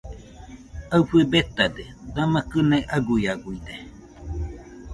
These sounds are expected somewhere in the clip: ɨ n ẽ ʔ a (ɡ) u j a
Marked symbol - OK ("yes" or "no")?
yes